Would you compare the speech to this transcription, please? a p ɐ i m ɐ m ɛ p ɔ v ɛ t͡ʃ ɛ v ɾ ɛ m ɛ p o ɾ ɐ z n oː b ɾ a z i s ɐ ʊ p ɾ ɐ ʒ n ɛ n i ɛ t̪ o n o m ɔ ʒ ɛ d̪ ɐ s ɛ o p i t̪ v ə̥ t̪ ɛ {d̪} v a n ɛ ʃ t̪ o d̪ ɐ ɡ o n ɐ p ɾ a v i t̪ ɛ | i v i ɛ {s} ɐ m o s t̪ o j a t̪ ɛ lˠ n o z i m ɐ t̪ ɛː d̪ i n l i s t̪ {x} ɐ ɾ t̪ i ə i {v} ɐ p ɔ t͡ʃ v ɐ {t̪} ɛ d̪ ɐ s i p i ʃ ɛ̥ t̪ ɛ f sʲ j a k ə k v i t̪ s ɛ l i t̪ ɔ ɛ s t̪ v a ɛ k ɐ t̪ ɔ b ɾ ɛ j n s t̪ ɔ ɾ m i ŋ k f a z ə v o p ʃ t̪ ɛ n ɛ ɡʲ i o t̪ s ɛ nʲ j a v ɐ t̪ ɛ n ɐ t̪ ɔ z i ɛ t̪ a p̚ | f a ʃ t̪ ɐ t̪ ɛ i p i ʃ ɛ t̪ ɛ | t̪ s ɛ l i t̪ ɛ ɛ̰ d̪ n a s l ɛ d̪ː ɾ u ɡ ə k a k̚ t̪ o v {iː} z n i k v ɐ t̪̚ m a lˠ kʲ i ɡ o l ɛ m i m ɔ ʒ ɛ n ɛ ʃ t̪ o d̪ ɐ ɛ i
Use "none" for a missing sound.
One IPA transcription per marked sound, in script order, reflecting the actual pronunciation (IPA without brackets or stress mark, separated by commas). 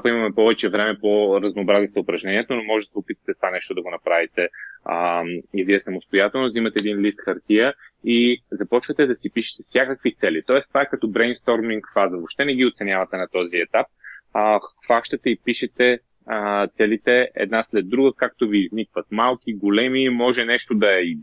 t̪, s, x, z, t̪, iː